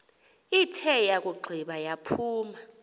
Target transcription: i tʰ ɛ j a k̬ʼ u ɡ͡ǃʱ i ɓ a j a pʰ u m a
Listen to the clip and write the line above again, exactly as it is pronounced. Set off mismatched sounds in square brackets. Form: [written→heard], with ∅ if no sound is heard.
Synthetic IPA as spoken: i tʰ ɛ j a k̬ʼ u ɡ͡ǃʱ i ɓ a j a pʰ [u→uː] m a